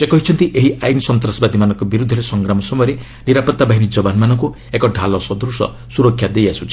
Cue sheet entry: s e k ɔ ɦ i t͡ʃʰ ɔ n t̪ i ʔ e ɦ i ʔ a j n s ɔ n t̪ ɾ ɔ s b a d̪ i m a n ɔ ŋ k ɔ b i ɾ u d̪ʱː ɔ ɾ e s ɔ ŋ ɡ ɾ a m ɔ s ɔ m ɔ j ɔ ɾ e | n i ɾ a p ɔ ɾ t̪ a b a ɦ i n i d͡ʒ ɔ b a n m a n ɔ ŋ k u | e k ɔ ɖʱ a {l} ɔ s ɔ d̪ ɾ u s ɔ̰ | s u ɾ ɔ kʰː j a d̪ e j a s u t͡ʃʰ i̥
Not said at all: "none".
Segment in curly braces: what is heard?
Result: l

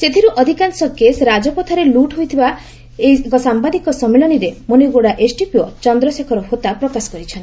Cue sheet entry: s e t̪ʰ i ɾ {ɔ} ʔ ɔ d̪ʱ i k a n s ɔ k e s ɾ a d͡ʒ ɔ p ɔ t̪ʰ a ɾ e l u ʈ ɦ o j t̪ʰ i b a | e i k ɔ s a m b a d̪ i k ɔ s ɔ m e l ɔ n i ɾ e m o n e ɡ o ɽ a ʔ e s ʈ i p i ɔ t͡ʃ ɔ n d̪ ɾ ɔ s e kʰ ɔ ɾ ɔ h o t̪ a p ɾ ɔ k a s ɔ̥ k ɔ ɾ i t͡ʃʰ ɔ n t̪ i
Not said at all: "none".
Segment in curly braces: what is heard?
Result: u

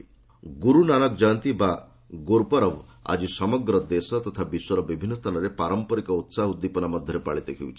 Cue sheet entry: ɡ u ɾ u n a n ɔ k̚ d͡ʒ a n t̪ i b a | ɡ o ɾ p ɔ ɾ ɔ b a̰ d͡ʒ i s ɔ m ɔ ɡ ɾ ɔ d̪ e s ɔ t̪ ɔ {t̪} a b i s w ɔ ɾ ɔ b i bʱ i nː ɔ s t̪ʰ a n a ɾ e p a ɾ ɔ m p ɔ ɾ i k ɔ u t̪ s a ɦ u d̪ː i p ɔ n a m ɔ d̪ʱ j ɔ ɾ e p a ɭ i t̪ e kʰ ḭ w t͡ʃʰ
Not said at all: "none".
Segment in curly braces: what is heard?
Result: t̪ʰ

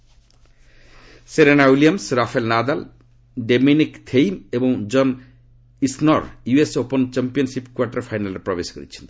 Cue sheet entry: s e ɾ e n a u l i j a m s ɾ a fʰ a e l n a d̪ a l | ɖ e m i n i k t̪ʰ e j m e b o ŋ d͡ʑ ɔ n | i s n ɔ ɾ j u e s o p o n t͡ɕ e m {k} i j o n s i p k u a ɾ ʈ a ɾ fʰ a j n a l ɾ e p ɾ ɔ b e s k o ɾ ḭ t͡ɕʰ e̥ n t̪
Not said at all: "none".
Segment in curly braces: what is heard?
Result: p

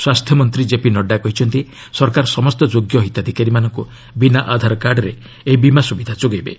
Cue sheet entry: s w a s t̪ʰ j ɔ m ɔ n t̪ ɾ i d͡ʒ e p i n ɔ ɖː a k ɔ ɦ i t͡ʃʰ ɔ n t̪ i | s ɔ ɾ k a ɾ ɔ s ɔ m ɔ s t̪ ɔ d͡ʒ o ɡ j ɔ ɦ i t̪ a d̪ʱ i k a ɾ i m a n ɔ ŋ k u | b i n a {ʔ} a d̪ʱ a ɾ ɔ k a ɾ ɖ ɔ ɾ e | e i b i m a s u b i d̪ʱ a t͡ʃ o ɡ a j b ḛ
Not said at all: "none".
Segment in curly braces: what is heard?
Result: ʔ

